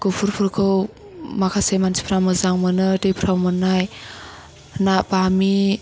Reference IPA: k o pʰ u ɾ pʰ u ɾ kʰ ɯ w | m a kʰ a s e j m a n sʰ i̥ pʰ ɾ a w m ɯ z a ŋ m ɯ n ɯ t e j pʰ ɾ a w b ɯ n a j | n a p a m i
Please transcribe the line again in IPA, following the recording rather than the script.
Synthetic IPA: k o pʰ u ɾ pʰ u ɾ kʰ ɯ w | m a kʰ a s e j m a n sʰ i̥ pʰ ɾ a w m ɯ z a ŋ m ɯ n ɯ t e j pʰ ɾ a w m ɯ n a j | n a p a m i

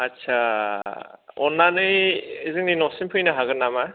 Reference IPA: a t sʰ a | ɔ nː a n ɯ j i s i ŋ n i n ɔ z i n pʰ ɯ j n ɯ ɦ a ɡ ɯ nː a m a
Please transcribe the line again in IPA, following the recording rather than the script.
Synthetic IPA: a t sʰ a | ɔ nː a n ɯ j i z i ŋ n i n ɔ s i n pʰ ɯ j n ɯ ɦ a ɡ ɯ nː a m a

